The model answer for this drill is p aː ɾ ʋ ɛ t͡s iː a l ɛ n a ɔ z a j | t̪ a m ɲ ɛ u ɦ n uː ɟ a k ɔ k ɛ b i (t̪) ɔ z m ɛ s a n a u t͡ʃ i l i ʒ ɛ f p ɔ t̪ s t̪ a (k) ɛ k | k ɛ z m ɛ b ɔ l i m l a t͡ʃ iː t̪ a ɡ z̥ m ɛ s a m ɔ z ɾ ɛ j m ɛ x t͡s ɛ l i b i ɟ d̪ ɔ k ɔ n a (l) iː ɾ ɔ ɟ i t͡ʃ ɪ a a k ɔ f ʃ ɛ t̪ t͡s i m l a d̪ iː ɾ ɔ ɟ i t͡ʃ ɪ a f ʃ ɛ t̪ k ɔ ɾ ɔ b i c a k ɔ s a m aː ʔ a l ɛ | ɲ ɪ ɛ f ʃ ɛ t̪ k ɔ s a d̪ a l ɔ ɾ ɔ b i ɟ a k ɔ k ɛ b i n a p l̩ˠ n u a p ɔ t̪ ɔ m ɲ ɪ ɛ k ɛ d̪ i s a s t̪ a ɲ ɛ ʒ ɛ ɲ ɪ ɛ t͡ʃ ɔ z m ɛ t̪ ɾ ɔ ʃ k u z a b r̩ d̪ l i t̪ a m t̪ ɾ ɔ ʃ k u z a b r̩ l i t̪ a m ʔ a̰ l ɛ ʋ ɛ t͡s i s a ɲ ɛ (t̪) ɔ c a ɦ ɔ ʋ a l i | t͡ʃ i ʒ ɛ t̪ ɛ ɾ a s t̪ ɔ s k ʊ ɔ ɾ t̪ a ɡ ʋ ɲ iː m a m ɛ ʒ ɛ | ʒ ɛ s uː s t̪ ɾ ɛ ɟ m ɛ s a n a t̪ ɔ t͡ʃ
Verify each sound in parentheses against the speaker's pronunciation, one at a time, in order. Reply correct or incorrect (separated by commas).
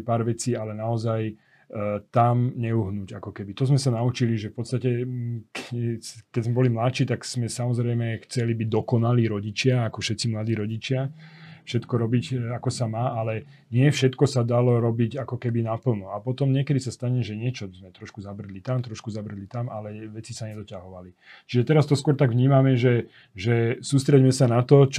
correct, incorrect, correct, incorrect